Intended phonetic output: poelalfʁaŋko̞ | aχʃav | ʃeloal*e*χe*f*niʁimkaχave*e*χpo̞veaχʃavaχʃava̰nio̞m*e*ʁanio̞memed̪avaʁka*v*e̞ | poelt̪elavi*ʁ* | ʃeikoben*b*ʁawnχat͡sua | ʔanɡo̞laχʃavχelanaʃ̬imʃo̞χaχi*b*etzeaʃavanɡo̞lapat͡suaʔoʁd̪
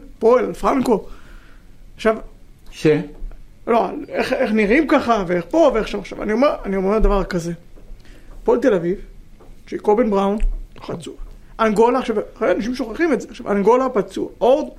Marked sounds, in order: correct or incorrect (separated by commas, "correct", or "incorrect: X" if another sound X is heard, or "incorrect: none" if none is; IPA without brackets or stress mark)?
correct, incorrect: χ, correct, correct, incorrect: z, incorrect: v, correct, incorrect: m